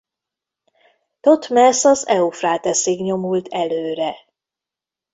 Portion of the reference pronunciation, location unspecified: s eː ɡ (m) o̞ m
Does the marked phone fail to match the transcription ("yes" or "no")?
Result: yes